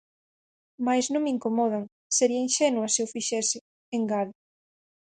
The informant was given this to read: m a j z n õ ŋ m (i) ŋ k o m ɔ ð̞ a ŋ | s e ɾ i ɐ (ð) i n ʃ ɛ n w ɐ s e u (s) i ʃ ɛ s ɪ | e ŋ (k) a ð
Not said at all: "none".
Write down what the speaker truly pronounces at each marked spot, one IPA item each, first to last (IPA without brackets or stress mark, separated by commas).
i, none, f, ɡ